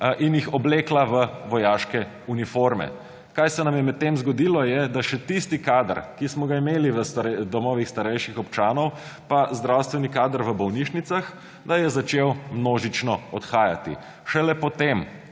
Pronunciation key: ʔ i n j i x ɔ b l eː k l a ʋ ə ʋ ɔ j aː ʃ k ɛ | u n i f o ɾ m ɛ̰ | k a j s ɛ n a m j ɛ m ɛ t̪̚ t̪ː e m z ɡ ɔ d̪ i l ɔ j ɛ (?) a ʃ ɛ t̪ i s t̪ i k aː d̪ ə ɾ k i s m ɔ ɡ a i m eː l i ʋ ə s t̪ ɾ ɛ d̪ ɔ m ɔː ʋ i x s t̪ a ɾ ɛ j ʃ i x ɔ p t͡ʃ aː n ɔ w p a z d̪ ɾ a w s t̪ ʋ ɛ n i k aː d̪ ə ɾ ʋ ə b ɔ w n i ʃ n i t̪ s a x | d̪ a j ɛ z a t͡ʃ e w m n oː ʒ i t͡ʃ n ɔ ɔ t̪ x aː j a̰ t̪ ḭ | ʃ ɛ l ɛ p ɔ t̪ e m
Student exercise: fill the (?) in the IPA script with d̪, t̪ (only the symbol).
d̪